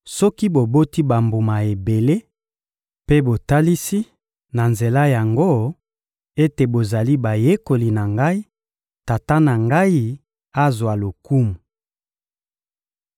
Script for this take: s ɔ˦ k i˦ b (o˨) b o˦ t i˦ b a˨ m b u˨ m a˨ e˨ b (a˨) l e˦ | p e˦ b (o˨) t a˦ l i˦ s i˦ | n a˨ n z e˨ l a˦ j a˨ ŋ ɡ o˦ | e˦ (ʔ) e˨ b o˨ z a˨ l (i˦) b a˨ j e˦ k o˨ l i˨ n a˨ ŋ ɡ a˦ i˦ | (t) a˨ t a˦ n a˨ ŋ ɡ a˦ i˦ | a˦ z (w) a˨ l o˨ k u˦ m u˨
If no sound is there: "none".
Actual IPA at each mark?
o˨, e˨, o˨, t, i˦, t, w

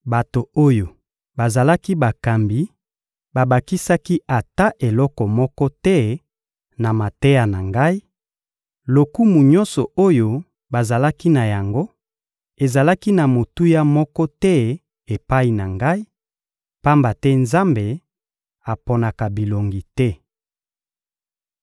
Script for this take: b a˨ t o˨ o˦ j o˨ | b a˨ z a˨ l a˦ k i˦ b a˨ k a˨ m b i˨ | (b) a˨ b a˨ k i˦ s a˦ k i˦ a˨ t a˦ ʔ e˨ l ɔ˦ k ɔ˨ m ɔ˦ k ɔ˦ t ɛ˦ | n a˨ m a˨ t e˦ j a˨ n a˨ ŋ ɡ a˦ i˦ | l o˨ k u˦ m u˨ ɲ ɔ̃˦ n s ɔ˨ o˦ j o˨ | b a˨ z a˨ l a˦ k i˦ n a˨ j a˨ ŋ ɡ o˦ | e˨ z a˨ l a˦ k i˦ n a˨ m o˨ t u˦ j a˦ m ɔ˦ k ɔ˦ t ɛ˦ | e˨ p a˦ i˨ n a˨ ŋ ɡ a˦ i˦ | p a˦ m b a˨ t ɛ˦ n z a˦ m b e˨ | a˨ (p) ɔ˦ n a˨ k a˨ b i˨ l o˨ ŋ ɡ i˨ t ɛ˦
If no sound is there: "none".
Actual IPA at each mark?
b, p

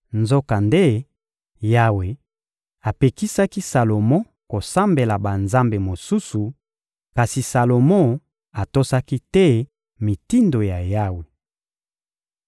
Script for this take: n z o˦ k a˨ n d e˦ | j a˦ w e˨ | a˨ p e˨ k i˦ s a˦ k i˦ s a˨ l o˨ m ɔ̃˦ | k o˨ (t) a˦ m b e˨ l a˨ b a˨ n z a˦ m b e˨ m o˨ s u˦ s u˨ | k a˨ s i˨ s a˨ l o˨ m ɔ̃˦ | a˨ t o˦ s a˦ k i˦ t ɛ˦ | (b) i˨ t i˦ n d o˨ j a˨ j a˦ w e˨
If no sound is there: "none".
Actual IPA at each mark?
s, m

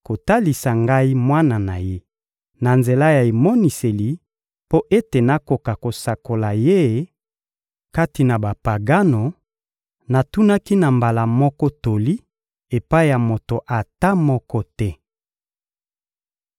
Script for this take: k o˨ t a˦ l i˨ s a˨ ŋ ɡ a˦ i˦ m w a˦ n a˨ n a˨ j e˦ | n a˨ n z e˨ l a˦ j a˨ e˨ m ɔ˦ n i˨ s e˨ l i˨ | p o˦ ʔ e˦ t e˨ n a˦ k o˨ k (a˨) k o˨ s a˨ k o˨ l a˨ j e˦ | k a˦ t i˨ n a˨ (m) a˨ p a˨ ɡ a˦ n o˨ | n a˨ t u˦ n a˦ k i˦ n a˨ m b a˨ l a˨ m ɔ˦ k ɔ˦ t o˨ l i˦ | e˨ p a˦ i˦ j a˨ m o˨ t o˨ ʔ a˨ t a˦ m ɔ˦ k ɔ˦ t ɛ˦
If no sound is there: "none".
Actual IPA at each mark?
a˨, b

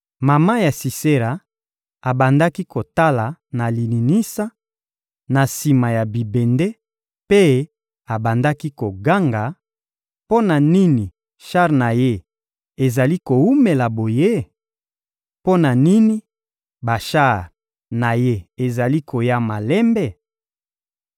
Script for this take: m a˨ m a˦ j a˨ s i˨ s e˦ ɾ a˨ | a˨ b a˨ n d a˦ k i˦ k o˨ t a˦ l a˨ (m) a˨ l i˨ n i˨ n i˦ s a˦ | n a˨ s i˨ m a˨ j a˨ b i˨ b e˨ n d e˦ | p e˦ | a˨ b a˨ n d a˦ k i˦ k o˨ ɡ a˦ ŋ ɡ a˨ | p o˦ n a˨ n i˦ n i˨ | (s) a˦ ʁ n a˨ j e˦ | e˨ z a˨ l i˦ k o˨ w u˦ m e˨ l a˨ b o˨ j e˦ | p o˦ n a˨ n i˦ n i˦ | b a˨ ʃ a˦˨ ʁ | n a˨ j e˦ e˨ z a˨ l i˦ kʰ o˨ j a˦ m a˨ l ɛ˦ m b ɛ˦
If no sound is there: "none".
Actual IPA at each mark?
n, ʃ

